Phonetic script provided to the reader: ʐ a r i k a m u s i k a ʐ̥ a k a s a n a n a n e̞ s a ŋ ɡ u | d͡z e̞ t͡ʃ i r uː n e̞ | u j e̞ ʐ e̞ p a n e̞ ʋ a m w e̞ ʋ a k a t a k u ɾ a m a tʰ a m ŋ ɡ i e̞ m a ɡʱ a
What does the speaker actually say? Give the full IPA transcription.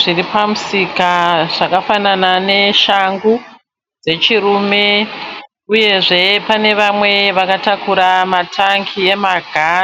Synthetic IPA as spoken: ʐ i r i p a m u s i k a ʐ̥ a k a f a n a n a n e̞ ʃ a ŋ ɡ u | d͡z e̞ t͡ʃ i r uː m e̞ | u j e̞ ʐ e̞ p a n e̞ ʋ a m w e̞ ʋ a k a t a k u ɾ a m a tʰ a ŋ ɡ i e̞ m a ɡʱ a